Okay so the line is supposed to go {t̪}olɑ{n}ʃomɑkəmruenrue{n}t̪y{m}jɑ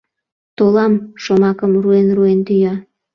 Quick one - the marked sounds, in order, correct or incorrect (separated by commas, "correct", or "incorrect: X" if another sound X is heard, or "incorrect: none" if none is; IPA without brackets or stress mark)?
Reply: correct, incorrect: m, correct, incorrect: none